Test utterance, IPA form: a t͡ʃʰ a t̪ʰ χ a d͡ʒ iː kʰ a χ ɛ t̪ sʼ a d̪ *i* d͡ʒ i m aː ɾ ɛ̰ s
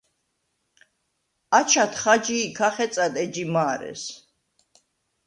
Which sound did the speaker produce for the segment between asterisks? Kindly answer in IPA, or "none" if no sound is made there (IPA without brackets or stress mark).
ɛ